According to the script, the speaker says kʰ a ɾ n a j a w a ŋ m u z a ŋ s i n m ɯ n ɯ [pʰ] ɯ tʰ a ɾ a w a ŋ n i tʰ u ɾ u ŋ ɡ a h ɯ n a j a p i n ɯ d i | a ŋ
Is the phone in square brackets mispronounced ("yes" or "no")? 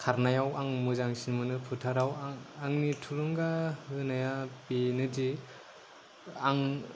no